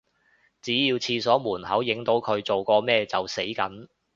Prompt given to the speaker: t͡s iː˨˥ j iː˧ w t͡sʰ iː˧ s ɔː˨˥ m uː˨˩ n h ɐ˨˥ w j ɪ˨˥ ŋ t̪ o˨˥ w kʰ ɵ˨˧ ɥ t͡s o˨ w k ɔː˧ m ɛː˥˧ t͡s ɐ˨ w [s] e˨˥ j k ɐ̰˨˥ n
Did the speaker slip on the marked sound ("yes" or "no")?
no